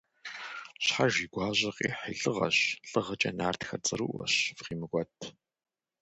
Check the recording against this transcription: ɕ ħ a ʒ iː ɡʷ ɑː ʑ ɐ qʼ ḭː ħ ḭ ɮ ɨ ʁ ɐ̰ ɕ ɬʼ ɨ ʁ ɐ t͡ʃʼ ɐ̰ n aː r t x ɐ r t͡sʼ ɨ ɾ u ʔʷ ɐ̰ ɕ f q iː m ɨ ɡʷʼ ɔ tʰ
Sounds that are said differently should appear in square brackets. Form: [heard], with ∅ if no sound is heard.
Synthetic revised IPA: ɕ ħ a ʒ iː ɡʷ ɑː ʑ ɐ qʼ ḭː ħ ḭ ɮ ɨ ʁ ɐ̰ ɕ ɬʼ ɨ ʁ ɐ t͡ʃʼ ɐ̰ n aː r t x ɐ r t͡sʼ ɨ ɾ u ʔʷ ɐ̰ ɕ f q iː m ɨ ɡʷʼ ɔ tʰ